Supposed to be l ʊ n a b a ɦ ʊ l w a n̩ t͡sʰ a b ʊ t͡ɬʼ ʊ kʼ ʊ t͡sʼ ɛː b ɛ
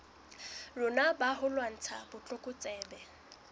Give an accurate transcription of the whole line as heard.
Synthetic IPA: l ʊ n a b a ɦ ʊ l w a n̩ t͡sʰ a b ʊ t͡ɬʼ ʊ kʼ ʊ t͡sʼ ɛː b ɛ